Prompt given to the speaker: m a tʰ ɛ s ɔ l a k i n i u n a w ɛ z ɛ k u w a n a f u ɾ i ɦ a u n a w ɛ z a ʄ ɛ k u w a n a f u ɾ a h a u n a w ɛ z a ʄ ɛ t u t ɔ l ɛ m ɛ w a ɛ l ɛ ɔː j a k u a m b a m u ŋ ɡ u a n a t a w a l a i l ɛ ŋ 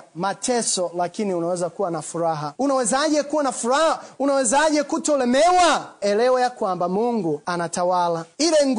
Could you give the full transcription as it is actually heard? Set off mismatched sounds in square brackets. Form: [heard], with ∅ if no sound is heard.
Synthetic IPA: m a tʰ ɛ s ɔ l a k i n i u n a w ɛ z [a] k u w a n a f u ɾ [a] ɦ a u n a w ɛ z a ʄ ɛ k u w a n a f u ɾ a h a u n a w ɛ z a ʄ ɛ [k] u t ɔ l ɛ m ɛ w a ɛ l ɛ [ɔ] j a k [w] a m b a m u ŋ ɡ u a n a t a w a l a i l ɛ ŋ